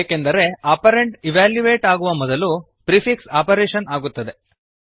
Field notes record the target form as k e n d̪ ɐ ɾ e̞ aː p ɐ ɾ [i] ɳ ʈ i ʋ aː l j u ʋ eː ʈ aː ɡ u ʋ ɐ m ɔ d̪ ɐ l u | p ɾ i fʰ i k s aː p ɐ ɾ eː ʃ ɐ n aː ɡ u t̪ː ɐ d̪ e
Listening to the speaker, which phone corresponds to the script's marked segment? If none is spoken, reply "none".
e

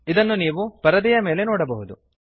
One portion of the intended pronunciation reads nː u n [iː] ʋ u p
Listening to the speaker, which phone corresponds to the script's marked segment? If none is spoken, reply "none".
iː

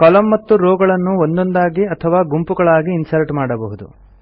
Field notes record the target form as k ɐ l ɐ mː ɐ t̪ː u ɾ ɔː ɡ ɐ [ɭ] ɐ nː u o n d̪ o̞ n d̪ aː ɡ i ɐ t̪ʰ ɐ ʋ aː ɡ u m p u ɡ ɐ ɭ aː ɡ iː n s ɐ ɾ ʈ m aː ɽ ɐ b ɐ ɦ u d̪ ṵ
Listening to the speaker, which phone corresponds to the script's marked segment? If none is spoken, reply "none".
ɭ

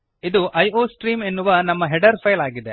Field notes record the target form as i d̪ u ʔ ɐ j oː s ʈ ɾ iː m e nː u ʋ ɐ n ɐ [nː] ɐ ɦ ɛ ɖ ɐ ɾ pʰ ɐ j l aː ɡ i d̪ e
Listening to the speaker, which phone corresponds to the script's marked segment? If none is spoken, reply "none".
mː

